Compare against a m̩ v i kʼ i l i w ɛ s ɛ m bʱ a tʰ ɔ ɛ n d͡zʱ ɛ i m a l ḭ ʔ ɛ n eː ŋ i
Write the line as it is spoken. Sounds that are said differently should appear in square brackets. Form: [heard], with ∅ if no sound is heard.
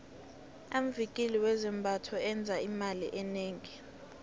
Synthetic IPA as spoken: a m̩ v i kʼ i l i w ɛ [z] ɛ m bʱ a tʰ ɔ ɛ n d͡zʱ [a] i m a l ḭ ʔ ɛ n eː ŋ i